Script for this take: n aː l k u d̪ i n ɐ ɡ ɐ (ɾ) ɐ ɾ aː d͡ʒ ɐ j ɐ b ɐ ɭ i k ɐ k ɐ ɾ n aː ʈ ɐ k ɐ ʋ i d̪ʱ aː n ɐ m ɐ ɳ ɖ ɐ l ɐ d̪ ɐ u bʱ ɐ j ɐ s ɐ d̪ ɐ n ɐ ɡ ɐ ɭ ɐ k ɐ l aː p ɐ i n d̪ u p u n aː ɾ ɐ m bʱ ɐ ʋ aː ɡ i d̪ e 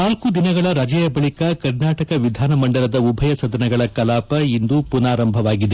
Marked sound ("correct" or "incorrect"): incorrect